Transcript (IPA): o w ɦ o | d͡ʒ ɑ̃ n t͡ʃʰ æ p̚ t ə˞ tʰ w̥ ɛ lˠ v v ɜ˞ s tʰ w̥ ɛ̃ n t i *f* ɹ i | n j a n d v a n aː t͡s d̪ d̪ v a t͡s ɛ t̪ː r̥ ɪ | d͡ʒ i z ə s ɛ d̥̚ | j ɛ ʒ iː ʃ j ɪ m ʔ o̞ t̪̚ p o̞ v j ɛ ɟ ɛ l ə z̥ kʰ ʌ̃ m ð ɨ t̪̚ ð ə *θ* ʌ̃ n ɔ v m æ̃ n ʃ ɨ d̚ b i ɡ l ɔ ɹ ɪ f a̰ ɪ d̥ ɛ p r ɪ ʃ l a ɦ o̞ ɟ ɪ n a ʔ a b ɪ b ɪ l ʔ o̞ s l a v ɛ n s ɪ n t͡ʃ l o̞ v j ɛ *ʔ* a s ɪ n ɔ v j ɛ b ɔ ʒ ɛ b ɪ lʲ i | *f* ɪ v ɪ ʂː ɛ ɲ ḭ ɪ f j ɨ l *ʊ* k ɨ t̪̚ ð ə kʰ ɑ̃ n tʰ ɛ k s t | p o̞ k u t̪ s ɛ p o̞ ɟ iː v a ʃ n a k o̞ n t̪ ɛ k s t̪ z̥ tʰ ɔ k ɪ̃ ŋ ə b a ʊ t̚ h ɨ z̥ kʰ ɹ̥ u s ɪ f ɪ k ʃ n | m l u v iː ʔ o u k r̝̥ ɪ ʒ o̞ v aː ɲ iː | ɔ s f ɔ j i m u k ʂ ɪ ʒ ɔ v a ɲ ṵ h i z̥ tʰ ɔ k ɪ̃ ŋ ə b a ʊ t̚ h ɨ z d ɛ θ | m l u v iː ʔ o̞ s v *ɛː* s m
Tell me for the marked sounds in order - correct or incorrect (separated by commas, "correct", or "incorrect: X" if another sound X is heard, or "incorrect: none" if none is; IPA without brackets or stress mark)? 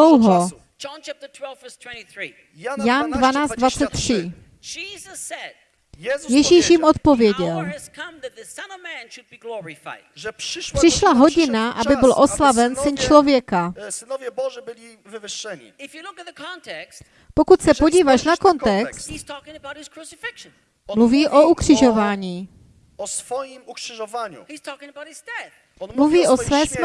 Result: incorrect: θ, incorrect: s, incorrect: k, incorrect: v, correct, correct